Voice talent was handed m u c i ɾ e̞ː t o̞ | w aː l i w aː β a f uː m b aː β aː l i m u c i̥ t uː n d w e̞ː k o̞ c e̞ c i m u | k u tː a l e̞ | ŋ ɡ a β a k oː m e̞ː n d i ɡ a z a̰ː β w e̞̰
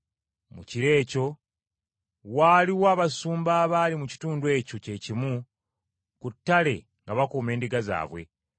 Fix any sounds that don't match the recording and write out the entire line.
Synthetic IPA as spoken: m u c i ɾ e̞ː c o̞ | w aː l i w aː β a s uː m b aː β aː l i m u c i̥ t uː n d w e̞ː c o̞ c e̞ c i m u | k u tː a l e̞ | ŋ ɡ a β a k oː m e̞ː n d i ɡ a z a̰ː β w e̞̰